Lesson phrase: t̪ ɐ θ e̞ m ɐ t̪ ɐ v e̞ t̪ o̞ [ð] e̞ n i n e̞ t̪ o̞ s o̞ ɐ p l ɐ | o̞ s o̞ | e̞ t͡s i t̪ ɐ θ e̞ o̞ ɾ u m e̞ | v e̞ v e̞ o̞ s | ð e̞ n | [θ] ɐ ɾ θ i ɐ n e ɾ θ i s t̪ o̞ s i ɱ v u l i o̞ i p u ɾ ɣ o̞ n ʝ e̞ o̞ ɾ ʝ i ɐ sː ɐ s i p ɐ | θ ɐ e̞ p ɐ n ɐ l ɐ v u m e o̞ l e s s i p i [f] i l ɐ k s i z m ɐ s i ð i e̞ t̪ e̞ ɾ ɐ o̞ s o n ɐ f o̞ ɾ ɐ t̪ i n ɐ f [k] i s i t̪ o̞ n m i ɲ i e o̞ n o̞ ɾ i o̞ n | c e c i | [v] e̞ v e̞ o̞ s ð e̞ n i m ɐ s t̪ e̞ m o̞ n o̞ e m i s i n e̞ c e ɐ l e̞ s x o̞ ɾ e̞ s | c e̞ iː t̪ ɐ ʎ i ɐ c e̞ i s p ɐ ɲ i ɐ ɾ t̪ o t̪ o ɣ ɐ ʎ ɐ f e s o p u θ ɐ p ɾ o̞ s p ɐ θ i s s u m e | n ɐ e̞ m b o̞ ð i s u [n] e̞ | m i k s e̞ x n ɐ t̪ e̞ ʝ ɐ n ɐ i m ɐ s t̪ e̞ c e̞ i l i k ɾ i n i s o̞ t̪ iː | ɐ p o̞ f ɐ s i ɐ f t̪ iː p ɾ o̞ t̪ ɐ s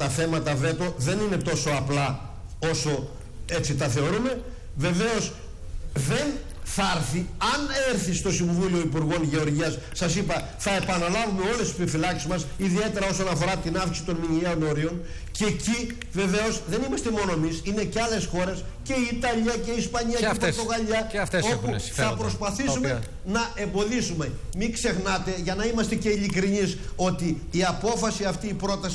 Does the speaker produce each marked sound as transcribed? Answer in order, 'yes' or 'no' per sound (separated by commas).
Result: yes, yes, yes, yes, yes, no